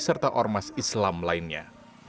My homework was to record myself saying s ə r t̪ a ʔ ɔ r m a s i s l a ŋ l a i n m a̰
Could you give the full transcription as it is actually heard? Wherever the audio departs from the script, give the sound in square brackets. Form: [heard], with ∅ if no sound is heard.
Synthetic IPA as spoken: s ə r t̪ a ʔ ɔ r m a s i s l a [m] l a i n [ɲ] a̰